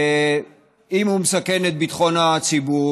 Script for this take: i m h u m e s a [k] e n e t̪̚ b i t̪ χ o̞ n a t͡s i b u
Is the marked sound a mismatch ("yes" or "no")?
no